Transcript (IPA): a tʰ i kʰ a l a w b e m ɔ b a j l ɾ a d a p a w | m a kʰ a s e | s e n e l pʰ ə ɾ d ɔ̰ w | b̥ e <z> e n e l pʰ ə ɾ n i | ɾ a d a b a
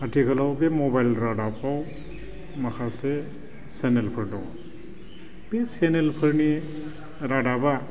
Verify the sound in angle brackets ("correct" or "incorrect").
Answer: incorrect